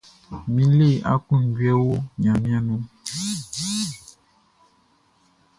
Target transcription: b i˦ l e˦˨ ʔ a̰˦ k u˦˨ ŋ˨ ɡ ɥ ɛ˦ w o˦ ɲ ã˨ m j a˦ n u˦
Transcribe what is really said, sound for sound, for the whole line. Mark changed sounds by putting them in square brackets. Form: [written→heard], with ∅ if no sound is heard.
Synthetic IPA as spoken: [b→m] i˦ l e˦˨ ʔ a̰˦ k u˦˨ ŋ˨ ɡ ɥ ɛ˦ w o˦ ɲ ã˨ m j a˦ n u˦